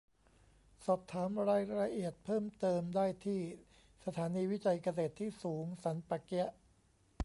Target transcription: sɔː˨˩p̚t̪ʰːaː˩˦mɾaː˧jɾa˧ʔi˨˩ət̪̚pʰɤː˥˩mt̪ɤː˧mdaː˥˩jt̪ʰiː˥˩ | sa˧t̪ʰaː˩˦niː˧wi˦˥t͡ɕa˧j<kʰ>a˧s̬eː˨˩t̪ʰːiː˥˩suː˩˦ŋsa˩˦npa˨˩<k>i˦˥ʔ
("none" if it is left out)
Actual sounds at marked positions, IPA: k, k

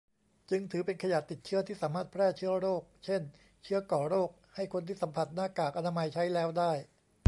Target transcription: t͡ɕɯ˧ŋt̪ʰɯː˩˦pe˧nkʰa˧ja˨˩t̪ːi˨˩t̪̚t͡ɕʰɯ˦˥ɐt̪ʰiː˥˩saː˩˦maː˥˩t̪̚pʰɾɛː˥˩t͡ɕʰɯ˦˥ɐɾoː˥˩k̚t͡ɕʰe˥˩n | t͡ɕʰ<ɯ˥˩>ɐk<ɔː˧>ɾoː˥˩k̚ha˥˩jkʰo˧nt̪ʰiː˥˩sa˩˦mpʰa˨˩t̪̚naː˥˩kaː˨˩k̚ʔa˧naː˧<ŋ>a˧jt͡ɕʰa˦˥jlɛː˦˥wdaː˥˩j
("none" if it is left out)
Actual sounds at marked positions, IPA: ɯ˦˥, ɔː˨˩, m

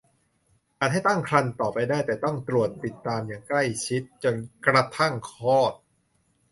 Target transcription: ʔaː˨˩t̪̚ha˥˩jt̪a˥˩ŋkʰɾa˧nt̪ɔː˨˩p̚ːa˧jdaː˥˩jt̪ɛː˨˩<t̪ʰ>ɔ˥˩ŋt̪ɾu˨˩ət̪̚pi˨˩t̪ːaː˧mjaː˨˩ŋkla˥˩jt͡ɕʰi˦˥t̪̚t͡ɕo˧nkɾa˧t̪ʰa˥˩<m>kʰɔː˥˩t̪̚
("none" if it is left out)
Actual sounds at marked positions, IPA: t̪, ŋ

